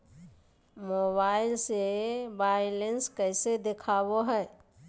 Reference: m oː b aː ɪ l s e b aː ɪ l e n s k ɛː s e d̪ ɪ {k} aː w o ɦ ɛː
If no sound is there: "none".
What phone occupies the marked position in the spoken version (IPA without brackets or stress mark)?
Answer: kʰ